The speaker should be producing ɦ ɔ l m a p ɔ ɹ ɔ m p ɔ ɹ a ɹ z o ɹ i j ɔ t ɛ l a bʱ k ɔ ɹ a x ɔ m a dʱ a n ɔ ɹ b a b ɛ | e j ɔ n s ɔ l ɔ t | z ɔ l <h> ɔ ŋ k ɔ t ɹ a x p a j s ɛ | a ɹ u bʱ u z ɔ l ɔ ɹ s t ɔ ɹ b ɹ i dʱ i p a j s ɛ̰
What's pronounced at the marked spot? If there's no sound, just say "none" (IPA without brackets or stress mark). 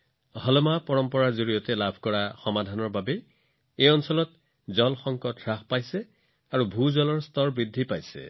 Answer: x